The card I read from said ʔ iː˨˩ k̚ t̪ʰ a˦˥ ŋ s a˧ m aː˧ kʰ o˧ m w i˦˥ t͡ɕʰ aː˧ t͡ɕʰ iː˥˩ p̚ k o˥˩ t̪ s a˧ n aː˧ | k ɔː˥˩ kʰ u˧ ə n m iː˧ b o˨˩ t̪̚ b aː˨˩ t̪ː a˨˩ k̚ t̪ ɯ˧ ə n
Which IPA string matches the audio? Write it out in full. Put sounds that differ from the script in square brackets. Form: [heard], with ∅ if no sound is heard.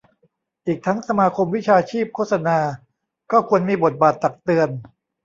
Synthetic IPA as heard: ʔ iː˨˩ k̚ t̪ʰ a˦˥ ŋ s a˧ m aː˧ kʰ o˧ m w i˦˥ t͡ɕʰ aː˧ t͡ɕʰ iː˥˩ p̚ [kʰ] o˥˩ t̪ s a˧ n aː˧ | k ɔː˥˩ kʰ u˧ ə n m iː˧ b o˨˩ t̪̚ b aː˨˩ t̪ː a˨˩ k̚ t̪ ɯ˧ ə n